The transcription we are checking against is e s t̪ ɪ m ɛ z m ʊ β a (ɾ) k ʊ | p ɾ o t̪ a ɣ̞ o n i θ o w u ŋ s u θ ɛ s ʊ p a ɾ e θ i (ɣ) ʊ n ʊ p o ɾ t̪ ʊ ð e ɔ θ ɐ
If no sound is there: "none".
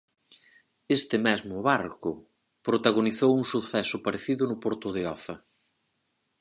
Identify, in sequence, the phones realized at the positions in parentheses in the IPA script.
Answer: ɾ, ð

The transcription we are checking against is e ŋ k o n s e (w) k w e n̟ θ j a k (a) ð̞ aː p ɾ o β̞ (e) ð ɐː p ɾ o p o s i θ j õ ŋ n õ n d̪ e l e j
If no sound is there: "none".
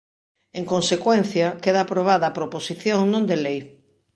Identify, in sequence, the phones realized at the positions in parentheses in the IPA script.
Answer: none, e, a

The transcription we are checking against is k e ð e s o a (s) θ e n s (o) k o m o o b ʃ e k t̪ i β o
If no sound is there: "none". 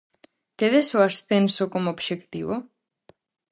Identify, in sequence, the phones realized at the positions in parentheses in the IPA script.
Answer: s, o

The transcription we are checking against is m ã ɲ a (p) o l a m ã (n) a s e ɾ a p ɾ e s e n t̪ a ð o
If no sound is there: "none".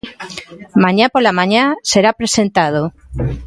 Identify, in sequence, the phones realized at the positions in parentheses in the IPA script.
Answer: p, ɲ

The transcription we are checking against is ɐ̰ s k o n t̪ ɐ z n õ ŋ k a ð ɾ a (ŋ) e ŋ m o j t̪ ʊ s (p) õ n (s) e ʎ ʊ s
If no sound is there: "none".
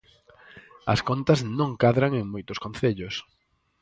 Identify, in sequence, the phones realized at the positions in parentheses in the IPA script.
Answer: ŋ, k, θ

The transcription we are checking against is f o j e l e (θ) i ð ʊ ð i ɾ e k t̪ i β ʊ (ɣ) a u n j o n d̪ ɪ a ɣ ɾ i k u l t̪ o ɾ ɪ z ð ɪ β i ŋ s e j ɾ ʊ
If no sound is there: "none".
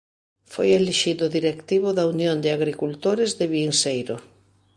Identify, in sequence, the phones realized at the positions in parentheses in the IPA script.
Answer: ʃ, ð

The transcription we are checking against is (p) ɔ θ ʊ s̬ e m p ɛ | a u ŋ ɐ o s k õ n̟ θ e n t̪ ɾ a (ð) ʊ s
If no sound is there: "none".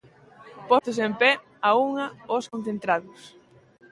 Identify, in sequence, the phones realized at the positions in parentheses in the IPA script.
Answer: p, ð

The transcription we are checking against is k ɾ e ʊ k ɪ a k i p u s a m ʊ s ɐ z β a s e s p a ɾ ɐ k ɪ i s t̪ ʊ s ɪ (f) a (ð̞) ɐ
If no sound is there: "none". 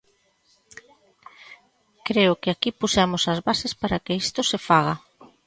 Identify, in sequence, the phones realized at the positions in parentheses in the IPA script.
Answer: f, ɣ̞

